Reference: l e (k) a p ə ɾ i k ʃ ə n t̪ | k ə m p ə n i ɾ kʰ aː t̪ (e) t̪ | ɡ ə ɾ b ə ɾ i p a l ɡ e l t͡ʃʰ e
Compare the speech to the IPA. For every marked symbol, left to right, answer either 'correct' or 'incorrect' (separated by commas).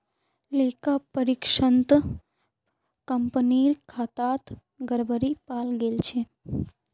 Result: correct, incorrect